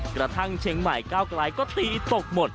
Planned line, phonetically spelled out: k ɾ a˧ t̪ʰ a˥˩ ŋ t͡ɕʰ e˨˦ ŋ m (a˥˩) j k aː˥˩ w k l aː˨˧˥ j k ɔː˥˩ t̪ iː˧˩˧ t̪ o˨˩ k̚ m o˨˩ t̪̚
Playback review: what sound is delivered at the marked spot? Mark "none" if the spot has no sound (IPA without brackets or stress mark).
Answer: a˨˩